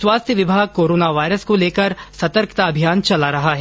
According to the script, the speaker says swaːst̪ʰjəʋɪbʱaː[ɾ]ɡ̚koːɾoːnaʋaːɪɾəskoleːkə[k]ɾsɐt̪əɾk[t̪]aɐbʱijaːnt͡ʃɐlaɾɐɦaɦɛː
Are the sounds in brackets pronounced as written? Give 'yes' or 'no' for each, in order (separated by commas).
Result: no, no, yes